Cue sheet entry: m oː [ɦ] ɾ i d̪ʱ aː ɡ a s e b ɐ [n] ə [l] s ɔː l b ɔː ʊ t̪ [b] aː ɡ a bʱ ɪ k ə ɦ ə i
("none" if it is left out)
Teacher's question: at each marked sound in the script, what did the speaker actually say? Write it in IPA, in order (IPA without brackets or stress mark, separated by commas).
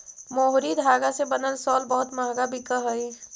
ɦ, n, l, m